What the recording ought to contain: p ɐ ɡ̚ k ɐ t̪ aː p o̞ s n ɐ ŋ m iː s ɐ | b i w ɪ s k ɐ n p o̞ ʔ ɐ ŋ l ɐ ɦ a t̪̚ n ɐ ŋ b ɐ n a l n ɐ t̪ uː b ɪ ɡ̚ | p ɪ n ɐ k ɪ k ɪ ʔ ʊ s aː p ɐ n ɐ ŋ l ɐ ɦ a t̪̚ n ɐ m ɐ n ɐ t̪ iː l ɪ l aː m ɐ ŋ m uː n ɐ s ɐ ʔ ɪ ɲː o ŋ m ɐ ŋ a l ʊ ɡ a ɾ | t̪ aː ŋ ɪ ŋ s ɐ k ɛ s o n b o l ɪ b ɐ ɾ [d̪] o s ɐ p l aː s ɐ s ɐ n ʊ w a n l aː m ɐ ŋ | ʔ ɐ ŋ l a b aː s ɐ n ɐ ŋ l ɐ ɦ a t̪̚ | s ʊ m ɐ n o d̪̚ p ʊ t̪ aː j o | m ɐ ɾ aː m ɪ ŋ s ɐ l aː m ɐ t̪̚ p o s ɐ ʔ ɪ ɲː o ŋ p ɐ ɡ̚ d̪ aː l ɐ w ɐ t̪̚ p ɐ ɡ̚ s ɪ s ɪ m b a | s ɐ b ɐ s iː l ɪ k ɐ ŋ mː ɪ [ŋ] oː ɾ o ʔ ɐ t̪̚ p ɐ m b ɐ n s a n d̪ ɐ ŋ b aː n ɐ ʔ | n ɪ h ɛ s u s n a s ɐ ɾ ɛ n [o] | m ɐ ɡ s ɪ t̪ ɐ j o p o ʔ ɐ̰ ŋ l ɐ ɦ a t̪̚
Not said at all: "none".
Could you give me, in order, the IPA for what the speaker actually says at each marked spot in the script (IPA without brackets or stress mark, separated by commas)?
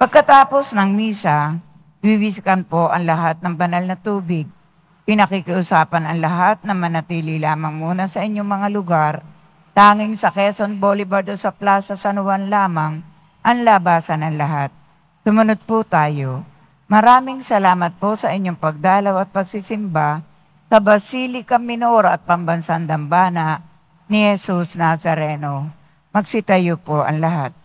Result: d̪, n, o